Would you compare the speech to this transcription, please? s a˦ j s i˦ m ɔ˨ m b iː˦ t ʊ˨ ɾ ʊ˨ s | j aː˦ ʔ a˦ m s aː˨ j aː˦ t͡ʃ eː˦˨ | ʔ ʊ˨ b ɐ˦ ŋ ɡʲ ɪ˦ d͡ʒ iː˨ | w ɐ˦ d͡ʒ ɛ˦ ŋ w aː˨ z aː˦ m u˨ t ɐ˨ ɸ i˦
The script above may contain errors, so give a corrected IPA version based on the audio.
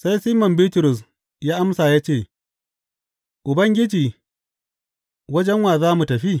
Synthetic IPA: s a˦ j s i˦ m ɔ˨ m b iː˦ t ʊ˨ ɾ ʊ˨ s | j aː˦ ʔ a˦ m s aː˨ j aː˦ t͡ʃ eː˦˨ | ʔ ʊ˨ b ɐ˦ ŋ ɡʲ ɪ˦ d͡ʒ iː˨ | w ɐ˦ d͡ʒ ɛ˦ ŋ w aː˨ z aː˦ m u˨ t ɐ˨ ɸ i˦